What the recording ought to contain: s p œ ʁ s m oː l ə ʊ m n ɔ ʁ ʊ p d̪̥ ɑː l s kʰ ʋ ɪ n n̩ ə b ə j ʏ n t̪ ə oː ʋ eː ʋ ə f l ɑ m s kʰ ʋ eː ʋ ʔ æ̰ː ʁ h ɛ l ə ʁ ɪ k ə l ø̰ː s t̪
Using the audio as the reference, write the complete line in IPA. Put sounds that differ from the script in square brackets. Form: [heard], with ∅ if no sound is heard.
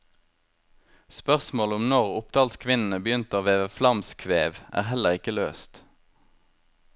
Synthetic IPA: s p œ ʁ s m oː l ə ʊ m n ɔ ʁ ʊ p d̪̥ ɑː l s kʰ ʋ ɪ n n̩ ə b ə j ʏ n t̪ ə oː ʋ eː ʋ ə f l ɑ m s kʰ ʋ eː ʋ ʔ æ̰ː ʁ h ɛ l ə ʁ ɪ k ə l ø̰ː s t̪